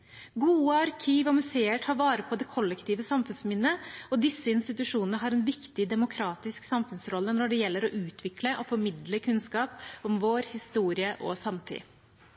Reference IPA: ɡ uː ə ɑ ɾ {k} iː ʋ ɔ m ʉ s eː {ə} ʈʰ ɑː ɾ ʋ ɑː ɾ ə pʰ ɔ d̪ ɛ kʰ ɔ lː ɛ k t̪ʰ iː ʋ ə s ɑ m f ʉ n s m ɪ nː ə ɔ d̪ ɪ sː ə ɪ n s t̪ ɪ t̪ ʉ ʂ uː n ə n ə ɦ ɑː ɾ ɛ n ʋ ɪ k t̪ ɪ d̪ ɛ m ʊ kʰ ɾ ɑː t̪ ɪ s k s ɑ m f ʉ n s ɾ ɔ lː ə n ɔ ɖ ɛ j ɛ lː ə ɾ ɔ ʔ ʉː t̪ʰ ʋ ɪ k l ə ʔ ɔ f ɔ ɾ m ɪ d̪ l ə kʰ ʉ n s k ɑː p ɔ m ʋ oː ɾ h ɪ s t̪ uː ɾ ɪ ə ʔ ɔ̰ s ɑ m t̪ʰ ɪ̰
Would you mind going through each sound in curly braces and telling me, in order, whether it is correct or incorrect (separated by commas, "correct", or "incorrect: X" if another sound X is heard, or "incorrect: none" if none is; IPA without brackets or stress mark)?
incorrect: kʰ, correct